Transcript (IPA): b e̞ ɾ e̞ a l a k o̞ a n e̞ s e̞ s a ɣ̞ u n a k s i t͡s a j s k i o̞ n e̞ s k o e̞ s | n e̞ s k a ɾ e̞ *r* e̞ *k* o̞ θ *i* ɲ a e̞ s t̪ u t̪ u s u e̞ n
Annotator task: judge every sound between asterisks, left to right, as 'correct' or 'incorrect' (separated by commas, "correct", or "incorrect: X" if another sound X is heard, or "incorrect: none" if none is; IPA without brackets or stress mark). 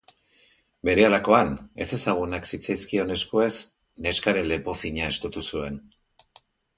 incorrect: l, incorrect: p, correct